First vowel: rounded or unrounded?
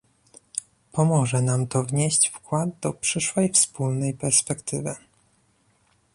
rounded